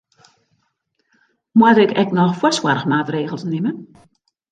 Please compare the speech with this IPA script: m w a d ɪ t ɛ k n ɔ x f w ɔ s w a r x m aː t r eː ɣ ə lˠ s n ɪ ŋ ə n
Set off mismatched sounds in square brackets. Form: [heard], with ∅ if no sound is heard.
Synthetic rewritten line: m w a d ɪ [k] ɛ k n ɔ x f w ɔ s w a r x m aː t r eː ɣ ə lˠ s n ɪ [m] ə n